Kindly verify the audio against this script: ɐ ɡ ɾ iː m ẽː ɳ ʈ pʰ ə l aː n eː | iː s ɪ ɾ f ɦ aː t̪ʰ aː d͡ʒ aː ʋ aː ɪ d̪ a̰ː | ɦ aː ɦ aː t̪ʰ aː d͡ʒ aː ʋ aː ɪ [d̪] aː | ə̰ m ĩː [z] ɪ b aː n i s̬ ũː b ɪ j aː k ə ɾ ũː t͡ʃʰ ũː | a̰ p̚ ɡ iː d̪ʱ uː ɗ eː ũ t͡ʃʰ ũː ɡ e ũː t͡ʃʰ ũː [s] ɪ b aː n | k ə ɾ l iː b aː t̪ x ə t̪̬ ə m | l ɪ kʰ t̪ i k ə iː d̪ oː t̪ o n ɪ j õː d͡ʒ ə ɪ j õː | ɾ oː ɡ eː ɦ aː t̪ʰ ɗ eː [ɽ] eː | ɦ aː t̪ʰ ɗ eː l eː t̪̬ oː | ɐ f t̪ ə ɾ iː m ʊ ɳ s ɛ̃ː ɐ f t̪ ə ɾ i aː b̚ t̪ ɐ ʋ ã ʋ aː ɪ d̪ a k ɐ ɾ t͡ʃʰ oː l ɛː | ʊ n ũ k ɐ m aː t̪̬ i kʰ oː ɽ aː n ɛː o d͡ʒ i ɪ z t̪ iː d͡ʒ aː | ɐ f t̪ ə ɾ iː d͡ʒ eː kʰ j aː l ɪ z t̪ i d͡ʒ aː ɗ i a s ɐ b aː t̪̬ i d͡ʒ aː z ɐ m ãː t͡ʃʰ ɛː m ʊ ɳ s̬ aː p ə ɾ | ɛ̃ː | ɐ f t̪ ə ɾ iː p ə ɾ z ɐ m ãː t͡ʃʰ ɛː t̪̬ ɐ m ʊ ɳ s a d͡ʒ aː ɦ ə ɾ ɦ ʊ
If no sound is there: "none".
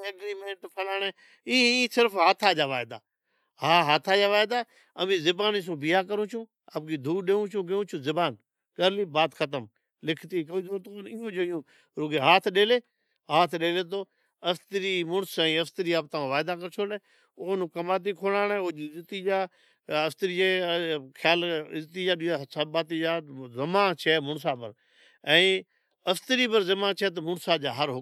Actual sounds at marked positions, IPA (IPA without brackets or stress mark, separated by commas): d̪, z, z, l